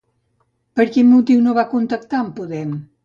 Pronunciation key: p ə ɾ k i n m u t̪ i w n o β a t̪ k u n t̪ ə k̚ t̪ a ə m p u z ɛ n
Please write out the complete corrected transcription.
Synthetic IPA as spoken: p ə ɾ k i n m u t̪ i w n o β a k u n t̪ ə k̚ t̪ a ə m p u ð ɛ m